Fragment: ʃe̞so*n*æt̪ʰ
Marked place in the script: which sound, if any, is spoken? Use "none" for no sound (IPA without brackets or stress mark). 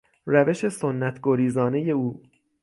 nː